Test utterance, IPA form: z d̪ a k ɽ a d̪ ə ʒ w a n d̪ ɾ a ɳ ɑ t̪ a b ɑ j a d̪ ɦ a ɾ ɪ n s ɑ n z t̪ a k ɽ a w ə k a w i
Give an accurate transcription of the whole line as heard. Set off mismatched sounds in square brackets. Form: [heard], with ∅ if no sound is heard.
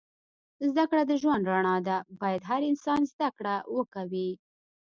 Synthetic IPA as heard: z d̪ a k ɽ a d̪ ə ʒ w a n d̪ ɾ a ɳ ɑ [d̪] a b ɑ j a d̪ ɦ a ɾ ɪ n s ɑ n z [d̪] a k ɽ a w ə k a w i

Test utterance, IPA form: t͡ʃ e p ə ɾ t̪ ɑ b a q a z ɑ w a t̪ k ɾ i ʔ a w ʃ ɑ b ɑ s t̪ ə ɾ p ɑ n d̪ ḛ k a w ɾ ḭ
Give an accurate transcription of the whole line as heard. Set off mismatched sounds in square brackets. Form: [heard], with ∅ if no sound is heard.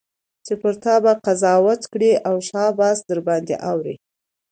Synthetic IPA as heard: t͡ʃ e p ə ɾ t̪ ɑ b a q a z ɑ w a t̪ k [ɽ] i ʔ a w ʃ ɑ b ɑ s [d̪] ə ɾ [b] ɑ n d̪ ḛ [ʔ] a w ɾ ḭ

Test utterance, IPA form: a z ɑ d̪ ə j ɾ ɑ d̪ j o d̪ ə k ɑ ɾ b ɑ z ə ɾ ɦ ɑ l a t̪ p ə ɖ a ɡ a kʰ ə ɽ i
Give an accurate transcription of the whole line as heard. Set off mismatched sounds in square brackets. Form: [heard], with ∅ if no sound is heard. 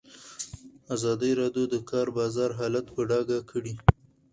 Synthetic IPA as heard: a z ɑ d̪ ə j ɾ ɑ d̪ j o d̪ ə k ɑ ɾ b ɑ z [ɑ] ɾ ɦ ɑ l a t̪ p ə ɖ [ɑ] ɡ a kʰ ə ɽ i

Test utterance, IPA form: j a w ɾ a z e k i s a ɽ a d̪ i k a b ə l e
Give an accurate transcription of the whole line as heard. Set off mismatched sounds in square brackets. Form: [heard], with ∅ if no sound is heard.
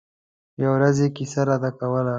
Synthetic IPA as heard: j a w ɾ a z e k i s a [ɾ] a d̪ [a] k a [w] ə l [a]

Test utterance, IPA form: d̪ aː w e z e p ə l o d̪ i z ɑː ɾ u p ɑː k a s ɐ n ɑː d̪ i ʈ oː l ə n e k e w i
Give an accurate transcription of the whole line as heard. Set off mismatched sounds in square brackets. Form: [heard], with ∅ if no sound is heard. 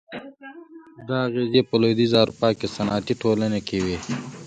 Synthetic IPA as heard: d̪ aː [ɣ] e z e p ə l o d̪ i z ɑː ɾ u p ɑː k [e] s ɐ n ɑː [t̪] i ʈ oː l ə n e k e w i

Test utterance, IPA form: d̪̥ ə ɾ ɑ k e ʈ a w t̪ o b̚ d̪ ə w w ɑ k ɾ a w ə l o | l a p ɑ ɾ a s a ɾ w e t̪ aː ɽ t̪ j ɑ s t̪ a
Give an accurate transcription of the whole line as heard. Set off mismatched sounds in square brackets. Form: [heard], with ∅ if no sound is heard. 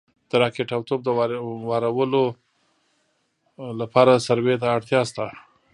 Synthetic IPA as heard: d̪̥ ə ɾ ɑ k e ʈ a w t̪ o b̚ d̪ ə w w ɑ [∅] ɾ a w ə l o | l a p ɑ ɾ a s a ɾ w e t̪ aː ɽ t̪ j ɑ s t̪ a

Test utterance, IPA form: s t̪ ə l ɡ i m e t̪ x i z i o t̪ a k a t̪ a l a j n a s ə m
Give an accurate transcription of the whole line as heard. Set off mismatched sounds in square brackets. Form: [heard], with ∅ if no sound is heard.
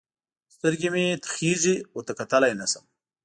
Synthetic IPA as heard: s t̪ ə [ɾ] ɡ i m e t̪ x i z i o t̪ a k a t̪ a l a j n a s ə m

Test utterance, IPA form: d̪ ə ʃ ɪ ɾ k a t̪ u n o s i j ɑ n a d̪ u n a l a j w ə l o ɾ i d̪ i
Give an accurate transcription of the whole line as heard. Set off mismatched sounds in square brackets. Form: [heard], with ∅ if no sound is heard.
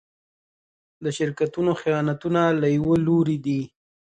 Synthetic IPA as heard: d̪ ə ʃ ɪ ɾ k a t̪ u n o [x] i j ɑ n a [t̪] u n a l a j w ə l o ɾ i d̪ i

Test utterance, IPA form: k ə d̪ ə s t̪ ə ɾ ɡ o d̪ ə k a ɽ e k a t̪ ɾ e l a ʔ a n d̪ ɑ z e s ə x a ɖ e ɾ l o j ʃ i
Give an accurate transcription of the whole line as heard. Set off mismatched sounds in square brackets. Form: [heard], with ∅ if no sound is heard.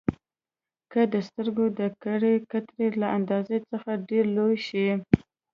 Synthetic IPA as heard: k ə d̪ ə s t̪ ə ɾ ɡ o d̪ ə k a ɽ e k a t̪ ɾ e l a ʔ a n d̪ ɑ z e [t͡s] ə x a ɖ e ɾ l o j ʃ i

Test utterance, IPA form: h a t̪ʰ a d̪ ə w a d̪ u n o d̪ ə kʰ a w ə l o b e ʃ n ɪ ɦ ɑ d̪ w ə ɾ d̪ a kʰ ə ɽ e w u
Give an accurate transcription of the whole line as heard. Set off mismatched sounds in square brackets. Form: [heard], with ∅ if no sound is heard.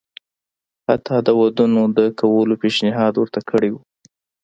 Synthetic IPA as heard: h a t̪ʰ [ɑ] d̪ ə w a d̪ u n o d̪ ə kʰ a w ə l o [p] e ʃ n ɪ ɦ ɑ d̪ w ə ɾ [t̪] a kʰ ə ɽ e w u

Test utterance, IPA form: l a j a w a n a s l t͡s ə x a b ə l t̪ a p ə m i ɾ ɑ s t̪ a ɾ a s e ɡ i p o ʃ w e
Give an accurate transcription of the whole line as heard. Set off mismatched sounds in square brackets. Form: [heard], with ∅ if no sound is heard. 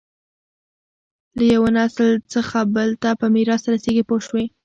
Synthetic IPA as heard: l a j a w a n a s l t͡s ə x a b ə l t̪ a p ə m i ɾ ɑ s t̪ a ɾ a s e ɡ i p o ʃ w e

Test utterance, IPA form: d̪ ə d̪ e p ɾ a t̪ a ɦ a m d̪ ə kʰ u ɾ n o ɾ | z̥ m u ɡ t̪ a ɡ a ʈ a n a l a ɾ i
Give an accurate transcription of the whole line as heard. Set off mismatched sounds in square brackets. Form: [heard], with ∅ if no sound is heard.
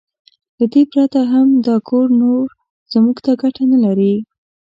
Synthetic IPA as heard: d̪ ə d̪ e p ɾ a t̪ a ɦ a m d̪ [ɑ] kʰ [o] ɾ n o ɾ | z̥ m u ɡ t̪ a ɡ a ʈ a n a l a ɾ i

